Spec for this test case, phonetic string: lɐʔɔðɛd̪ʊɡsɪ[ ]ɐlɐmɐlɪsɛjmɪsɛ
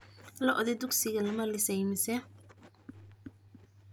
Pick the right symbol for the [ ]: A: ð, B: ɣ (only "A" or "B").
B